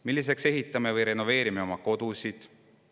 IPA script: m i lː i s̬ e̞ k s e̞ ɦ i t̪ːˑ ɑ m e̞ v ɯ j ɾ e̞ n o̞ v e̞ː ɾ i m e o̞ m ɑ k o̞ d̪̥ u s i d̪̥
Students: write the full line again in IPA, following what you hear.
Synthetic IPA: m i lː i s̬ e̞ k s e̞ ɦ i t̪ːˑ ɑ m e̞ v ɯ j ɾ e̞ n o̞ v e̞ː ɾ i m e o̞ m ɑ k o̞ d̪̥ u s i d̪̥